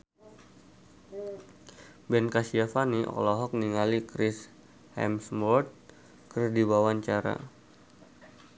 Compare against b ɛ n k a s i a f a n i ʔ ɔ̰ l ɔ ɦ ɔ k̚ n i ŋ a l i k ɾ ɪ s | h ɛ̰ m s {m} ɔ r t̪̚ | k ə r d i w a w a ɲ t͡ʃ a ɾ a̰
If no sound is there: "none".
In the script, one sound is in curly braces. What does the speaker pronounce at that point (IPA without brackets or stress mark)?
m